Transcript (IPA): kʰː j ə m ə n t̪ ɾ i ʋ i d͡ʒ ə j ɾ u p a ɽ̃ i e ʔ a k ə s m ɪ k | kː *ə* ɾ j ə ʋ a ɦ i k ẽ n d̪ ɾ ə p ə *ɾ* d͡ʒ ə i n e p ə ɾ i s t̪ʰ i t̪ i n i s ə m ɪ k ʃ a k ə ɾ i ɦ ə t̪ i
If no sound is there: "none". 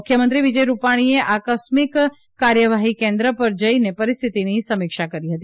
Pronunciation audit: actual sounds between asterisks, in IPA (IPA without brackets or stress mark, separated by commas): a, ɾ